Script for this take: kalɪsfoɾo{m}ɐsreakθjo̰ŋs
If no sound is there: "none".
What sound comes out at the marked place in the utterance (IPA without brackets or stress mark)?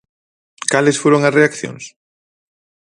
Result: ŋ